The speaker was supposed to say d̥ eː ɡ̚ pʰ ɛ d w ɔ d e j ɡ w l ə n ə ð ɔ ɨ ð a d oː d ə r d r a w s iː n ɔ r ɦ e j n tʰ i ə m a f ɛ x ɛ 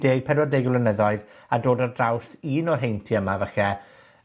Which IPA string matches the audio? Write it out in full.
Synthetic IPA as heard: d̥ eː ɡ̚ pʰ ɛ d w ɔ d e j ɡ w l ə n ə ð ɔ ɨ ð a d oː d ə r d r a w s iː n ɔ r ɦ e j n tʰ i ə m a v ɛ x ɛ